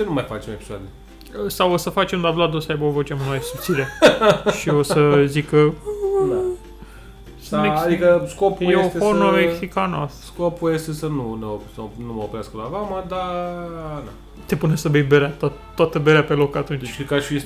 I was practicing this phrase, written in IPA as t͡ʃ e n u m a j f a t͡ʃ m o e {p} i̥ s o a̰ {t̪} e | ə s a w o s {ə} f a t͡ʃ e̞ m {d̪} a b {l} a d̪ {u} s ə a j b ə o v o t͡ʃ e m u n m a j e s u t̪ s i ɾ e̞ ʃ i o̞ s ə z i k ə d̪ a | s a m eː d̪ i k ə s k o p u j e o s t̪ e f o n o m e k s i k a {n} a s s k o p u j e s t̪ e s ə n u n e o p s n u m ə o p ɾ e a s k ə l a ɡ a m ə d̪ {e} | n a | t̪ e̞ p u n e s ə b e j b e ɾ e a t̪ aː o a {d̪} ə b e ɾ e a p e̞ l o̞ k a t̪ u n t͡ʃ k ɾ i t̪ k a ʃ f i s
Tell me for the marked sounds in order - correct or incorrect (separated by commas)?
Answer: correct, incorrect, correct, correct, correct, incorrect, correct, incorrect, incorrect